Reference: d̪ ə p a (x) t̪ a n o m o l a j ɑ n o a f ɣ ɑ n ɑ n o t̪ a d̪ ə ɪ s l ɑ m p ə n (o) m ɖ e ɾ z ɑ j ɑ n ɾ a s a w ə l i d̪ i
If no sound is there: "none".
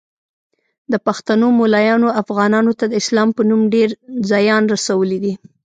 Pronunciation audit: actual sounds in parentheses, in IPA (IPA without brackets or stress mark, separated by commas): x, u